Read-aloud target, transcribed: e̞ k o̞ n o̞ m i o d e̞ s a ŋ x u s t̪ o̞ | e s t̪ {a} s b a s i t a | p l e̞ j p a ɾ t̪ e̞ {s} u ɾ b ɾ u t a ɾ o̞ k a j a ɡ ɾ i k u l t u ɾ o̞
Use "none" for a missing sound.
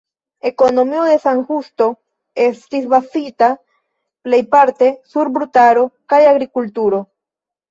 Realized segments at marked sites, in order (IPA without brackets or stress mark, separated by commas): i, s